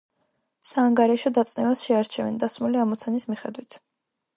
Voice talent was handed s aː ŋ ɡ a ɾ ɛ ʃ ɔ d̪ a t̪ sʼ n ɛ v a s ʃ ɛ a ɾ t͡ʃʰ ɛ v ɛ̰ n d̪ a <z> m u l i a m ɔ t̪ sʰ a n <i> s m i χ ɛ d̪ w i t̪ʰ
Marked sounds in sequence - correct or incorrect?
incorrect, correct

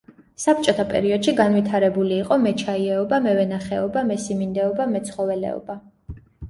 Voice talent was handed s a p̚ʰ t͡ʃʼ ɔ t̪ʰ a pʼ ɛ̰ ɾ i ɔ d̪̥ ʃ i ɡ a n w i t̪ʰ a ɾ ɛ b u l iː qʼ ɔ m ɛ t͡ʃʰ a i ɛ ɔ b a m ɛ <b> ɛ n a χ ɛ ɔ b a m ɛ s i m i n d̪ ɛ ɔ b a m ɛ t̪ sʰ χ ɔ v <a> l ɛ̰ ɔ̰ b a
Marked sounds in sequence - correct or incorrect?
incorrect, incorrect

